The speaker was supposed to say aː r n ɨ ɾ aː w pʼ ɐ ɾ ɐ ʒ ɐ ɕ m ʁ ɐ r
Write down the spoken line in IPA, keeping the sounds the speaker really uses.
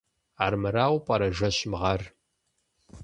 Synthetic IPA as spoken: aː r m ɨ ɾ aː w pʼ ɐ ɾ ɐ ʒ ɐ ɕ m ʁ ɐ r

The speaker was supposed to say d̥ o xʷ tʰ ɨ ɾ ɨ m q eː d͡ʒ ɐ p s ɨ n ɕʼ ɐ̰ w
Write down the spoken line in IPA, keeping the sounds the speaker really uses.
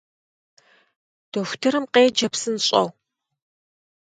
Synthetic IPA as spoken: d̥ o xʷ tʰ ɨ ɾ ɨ m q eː d͡ʒ ɐ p s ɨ n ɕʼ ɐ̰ w

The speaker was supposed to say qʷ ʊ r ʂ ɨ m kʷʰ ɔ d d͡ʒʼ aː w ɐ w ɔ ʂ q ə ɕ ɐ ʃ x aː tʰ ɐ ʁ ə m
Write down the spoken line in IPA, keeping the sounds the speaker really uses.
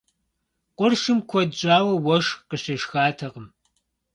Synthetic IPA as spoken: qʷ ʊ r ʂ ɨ m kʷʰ ɔ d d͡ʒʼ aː w ɐ w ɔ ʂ q ə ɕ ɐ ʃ x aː tʰ ɐ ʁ ə m

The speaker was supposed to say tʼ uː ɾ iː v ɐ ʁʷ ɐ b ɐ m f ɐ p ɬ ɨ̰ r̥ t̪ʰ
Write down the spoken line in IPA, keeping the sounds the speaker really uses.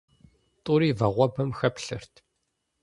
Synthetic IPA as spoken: tʼ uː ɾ iː v ɐ ʁʷ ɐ b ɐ m x ɐ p ɬ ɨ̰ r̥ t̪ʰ

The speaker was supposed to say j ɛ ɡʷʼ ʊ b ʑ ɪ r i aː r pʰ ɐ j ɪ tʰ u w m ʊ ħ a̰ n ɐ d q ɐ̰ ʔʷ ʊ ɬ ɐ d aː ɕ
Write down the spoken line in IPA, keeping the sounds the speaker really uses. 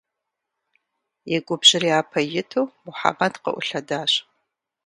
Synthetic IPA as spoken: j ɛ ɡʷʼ ʊ b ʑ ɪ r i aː pʰ ɐ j ɪ tʰ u w m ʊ ħ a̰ m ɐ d q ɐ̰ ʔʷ ʊ ɬ ɐ d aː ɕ

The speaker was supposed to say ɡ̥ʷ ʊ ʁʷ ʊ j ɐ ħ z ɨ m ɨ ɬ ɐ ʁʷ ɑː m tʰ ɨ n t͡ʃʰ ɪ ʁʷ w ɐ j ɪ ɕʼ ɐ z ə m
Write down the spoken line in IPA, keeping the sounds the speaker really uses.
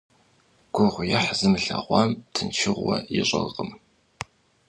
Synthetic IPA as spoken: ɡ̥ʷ ʊ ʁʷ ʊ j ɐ ħ z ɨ m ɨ ɬ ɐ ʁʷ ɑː m tʰ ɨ n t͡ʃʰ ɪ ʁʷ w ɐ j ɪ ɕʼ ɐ ʁ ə m

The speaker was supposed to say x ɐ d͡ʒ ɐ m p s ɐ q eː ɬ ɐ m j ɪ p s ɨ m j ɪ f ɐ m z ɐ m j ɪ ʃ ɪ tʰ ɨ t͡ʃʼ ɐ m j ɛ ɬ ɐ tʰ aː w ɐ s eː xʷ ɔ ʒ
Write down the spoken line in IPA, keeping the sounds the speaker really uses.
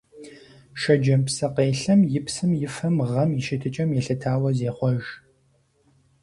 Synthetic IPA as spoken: ʃ ɐ d͡ʒ ɐ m p s ɐ q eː ɬ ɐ m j ɪ p s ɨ m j ɪ f ɐ m ʁ ɐ m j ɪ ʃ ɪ tʰ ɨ t͡ʃʼ ɐ m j ɛ ɬ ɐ tʰ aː w ɐ z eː χʷ ɔ ʒ

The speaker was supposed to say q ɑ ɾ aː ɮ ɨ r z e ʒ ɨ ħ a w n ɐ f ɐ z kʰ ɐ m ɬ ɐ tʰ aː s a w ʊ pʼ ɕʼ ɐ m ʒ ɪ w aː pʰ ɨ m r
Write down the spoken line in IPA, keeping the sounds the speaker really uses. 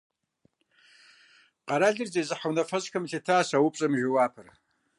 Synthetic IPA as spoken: q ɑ ɾ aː ɮ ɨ r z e z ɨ ħ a w n ɐ f ɐ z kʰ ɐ m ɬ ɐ tʰ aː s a w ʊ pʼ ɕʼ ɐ m ʒ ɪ w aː pʰ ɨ r

